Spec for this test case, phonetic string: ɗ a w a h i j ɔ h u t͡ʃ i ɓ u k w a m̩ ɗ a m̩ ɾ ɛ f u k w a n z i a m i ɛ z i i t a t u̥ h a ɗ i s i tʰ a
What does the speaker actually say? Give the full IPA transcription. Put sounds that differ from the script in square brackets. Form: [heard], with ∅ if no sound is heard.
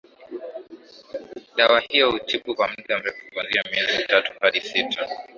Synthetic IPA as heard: ɗ a w a h i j ɔ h u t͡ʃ i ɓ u k w a m̩ ɗ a m̩ ɾ ɛ f u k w a n z i a m i ɛ z i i t a t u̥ h a ɗ i s i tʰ a